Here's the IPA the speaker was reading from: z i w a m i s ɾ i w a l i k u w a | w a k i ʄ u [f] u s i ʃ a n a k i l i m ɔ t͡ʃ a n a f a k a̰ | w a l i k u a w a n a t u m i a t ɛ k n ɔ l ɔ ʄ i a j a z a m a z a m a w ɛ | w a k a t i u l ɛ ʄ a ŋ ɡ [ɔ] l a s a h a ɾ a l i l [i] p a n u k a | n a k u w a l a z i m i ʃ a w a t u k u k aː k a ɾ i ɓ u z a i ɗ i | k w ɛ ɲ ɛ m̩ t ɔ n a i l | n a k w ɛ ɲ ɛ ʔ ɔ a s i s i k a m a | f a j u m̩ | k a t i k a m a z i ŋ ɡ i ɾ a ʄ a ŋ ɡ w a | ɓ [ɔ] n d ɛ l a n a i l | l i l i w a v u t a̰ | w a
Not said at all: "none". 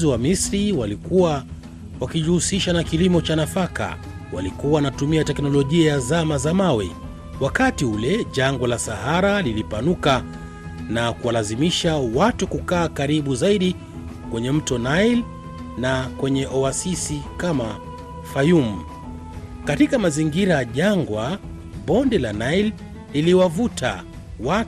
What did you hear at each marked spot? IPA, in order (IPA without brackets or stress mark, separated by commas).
h, ɔ, i, ɔ